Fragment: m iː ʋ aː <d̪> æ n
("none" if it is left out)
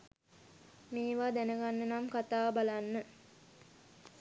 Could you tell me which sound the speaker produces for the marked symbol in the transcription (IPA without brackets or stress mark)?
d̪